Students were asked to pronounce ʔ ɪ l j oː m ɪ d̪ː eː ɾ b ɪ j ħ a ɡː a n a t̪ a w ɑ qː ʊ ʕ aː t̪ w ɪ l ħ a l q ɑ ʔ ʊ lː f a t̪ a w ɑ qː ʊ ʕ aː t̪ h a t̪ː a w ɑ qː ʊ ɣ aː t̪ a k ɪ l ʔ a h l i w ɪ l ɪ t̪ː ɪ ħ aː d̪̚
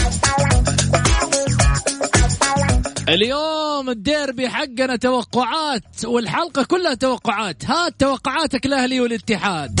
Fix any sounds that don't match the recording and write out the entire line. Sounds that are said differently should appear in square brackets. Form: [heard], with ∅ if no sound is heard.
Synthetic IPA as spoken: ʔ ɪ l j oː m ɪ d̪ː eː ɾ b ɪ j ħ a ɡː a n a t̪ a w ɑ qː ʊ ʕ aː t̪ w ɪ l ħ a l q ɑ [k] ʊ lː [h] a t̪ a w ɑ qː ʊ ʕ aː t̪ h a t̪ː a w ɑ qː ʊ [ʕ] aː t̪ a k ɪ l ʔ a h l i w ɪ l ɪ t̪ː ɪ ħ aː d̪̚